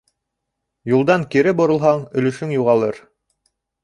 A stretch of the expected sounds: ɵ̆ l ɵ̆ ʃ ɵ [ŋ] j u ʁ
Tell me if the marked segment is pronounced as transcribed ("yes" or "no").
yes